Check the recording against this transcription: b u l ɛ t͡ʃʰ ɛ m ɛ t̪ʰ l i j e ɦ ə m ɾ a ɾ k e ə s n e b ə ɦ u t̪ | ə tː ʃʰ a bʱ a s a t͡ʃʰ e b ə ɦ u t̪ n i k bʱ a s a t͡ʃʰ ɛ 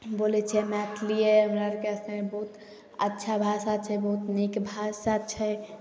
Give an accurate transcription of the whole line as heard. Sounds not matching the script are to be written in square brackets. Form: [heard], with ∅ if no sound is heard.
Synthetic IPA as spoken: b [o] l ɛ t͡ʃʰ ɛ m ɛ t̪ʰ l i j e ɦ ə m ɾ a ɾ k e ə s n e b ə ɦ u t̪ | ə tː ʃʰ a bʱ a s a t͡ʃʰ [ɛ] b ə ɦ u t̪ n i k bʱ a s a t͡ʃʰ ɛ